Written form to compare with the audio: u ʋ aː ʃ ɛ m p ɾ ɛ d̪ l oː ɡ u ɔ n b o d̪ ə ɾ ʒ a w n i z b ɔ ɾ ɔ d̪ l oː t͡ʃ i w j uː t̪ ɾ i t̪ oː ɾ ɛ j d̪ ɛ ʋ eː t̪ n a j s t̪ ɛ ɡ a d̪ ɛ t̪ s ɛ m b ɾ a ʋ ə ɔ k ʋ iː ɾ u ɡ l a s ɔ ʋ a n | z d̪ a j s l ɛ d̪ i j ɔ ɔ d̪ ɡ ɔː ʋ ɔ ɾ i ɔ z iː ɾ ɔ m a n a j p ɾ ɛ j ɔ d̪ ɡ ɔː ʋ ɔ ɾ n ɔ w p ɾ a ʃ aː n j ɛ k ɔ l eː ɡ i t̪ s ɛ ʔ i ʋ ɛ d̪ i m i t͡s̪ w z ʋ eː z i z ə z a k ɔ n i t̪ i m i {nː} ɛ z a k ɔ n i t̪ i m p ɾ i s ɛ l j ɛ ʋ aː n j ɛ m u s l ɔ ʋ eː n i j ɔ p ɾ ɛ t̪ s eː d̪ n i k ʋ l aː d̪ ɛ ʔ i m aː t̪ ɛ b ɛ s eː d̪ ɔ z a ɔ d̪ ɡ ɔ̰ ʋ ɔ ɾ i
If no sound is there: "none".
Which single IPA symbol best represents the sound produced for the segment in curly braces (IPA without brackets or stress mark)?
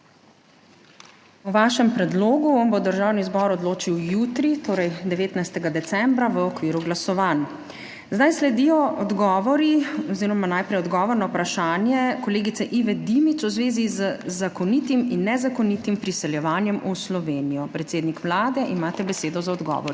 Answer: nː